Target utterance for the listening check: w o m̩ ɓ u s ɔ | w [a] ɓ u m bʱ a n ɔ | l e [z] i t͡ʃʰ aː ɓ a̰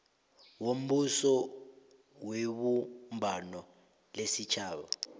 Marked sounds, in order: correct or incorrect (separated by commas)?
incorrect, incorrect